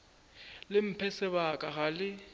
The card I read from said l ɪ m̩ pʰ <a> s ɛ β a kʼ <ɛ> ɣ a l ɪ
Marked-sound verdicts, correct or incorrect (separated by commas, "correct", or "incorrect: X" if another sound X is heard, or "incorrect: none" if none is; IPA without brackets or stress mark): incorrect: ɛ, incorrect: a